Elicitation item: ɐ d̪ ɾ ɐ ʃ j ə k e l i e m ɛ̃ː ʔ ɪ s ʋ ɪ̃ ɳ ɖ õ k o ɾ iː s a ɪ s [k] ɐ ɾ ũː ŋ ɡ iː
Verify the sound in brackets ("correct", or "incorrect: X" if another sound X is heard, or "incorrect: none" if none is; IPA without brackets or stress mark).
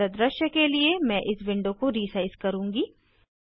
correct